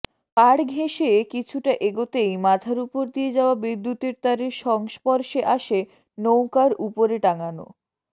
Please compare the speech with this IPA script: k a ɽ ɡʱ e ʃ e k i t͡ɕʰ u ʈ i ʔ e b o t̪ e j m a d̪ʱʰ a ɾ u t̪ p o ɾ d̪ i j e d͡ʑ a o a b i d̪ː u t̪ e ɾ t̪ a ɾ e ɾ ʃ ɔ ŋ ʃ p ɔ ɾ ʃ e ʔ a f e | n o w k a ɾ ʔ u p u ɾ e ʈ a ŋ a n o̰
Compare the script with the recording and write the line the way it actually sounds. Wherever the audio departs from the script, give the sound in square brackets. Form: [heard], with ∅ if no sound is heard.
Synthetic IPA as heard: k a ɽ ɡʱ e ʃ e k i t͡ɕʰ u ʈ [a] ʔ e [ɡ] o t̪ e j m a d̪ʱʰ a ɾ u [∅] p o ɾ d̪ i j e d͡ʑ a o a b i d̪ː u t̪ e ɾ t̪ a ɾ e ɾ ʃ ɔ ŋ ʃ p ɔ ɾ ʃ e ʔ a [ʃ] e | n o w k a ɾ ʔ u p [o] ɾ e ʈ a ŋ a n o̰